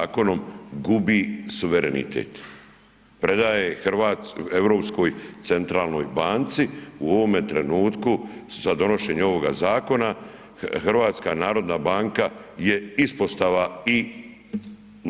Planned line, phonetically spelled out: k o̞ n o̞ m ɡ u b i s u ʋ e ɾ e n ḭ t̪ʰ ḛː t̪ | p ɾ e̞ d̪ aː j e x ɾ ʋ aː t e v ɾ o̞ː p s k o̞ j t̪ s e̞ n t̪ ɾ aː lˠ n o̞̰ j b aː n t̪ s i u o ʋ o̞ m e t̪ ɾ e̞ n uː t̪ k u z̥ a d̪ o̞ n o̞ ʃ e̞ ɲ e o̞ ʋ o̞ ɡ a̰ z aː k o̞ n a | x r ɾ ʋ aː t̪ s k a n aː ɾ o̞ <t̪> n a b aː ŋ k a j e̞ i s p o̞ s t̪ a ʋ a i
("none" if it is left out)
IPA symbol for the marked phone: d̪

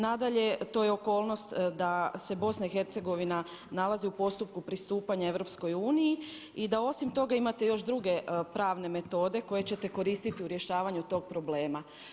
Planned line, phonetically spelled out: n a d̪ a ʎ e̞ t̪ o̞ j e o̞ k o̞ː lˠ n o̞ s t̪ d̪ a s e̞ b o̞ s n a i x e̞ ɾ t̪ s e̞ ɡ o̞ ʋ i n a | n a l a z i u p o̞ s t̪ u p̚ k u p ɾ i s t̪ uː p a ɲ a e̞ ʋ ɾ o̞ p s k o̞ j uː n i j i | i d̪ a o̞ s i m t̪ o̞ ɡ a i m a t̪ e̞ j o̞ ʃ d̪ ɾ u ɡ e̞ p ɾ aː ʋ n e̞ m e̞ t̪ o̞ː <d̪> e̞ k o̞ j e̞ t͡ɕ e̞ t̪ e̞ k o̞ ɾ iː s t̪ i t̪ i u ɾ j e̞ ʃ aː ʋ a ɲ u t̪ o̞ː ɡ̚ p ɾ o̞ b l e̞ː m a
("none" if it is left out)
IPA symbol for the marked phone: d̪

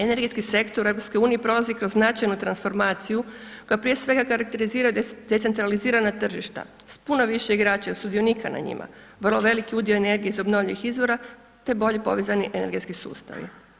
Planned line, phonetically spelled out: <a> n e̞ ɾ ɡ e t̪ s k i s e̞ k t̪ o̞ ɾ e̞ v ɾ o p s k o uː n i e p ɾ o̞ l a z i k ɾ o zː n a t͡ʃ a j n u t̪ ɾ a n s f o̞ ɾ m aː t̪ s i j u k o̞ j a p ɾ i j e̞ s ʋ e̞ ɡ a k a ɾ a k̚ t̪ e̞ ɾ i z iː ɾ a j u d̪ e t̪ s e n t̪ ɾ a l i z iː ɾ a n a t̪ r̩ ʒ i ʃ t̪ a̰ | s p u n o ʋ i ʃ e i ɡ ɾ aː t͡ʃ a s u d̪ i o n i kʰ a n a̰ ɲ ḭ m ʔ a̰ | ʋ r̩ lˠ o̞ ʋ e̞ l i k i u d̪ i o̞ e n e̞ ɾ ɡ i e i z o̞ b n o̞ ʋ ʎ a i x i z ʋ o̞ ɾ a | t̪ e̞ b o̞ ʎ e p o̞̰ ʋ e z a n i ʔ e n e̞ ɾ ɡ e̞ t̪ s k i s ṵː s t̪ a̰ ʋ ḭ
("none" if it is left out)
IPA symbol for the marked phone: e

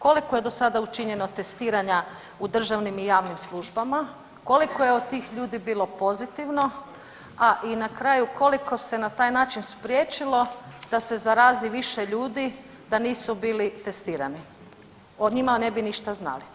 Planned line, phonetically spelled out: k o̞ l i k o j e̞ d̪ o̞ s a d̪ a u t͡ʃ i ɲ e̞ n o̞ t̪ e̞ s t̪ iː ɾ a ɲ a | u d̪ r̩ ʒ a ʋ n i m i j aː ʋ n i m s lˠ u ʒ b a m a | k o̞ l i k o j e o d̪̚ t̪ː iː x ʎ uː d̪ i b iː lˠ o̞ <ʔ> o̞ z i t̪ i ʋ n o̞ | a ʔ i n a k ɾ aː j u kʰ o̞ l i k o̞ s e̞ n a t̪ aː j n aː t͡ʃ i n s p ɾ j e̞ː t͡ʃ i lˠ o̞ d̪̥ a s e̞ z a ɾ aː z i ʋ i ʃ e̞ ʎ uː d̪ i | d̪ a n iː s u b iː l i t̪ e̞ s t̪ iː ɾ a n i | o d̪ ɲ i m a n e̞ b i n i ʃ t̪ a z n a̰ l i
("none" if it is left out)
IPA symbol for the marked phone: p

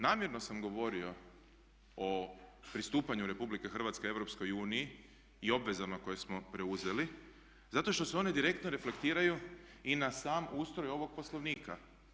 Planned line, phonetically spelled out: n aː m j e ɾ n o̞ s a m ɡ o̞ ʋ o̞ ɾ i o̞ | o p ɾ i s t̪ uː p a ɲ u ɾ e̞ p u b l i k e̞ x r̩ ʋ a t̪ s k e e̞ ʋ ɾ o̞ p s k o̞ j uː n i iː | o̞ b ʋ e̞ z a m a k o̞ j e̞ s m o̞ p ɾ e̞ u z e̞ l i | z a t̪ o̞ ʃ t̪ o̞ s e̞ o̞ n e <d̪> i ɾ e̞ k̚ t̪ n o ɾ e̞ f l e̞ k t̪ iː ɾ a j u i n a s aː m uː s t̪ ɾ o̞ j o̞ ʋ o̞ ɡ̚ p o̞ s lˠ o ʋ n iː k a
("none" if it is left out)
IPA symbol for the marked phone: d̪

